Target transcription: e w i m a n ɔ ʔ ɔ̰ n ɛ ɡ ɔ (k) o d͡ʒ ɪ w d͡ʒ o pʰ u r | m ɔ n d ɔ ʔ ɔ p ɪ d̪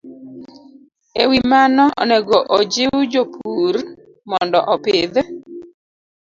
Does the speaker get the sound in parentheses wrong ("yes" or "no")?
yes